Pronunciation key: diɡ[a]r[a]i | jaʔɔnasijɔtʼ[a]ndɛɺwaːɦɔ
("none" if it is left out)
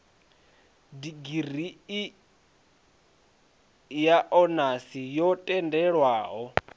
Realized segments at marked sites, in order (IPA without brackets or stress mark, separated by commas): i, i, ɛ